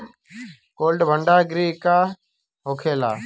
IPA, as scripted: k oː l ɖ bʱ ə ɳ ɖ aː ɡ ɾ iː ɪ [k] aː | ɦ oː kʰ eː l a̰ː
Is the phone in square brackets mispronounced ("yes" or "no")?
no